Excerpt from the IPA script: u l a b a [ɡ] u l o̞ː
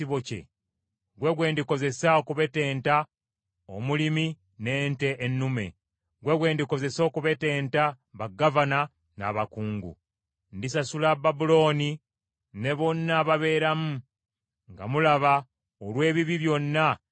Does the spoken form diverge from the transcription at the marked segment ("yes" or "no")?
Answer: yes